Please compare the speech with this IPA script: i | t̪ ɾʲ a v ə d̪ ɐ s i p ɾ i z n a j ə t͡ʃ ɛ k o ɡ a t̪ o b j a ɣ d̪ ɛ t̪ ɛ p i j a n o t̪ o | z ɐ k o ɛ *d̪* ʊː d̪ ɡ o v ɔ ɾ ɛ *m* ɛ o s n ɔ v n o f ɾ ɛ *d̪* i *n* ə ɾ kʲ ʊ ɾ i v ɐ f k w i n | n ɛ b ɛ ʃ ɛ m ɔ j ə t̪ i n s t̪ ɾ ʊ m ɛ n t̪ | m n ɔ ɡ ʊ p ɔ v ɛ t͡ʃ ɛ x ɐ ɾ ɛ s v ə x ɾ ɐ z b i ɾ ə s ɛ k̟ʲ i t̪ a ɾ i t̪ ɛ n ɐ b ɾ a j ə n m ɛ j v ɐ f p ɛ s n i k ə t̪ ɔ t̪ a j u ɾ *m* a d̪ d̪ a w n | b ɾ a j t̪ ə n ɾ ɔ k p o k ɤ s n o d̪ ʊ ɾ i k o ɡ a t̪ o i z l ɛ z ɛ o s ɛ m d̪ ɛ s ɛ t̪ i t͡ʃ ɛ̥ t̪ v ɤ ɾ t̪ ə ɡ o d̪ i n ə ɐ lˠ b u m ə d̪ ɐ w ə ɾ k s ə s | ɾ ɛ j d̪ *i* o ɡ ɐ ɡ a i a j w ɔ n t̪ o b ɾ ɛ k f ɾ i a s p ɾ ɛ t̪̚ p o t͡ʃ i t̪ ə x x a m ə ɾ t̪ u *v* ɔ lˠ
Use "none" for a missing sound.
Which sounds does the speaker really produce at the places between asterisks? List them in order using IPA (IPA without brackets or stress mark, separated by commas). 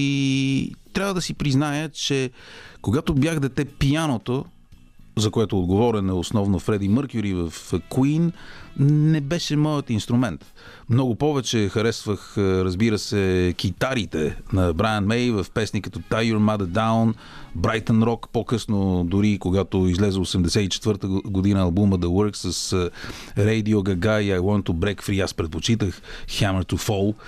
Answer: t̪, n, d̪, m, m, i, f